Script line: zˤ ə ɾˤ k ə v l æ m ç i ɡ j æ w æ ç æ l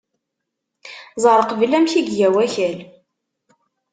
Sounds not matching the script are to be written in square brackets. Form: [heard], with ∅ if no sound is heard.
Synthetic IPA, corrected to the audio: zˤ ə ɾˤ [q] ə v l æ m ç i ɡ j æ w æ ç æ l